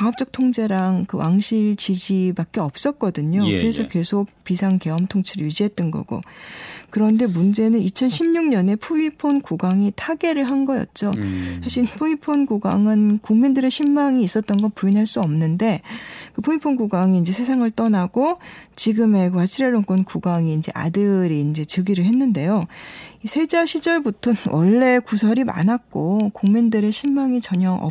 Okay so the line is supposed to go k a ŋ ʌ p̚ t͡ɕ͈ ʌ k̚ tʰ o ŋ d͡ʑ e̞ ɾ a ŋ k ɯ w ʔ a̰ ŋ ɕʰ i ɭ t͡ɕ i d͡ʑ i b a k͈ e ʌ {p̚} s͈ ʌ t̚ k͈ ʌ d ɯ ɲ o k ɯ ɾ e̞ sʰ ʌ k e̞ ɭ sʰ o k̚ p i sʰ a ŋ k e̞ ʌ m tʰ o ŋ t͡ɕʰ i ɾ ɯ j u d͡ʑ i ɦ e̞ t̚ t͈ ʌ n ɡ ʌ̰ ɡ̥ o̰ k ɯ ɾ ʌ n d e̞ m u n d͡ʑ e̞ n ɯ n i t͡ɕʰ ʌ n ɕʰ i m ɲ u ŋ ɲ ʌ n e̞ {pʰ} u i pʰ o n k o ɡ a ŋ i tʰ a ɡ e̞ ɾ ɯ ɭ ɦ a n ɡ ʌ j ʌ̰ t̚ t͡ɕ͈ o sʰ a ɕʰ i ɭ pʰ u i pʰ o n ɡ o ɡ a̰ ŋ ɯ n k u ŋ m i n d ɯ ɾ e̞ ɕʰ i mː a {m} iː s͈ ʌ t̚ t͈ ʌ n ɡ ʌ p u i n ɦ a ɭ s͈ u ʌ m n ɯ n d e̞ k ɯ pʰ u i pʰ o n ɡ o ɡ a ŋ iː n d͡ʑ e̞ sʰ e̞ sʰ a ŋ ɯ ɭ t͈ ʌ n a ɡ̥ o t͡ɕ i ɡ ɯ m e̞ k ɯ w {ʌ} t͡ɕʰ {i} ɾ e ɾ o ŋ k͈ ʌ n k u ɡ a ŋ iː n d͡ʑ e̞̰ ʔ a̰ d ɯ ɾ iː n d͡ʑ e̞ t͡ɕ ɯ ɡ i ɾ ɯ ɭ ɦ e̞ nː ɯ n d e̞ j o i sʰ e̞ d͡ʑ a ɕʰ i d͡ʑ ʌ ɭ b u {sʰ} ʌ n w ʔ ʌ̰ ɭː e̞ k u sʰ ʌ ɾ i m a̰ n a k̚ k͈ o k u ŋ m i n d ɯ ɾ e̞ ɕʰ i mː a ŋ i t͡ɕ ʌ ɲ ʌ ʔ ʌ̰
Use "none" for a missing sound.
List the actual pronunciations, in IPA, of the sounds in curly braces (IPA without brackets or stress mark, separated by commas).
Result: p̚, pʰ, ŋ, a, i, tʰ